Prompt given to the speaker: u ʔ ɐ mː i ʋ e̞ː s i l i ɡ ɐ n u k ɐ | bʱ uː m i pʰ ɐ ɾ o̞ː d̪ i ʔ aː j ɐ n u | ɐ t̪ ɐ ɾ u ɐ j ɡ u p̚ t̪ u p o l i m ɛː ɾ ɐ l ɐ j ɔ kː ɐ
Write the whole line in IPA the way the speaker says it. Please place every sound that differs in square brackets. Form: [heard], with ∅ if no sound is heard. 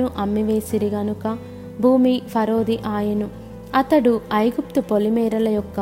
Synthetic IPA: u ʔ ɐ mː i ʋ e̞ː s i [ɾ] i ɡ ɐ n u k ɐ | bʱ uː m i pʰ ɐ ɾ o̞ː d̪ i ʔ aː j ɐ n u | ɐ t̪ ɐ [ɽ] u ɐ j ɡ u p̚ t̪ u p o l i m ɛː ɾ ɐ l ɐ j ɔ kː ɐ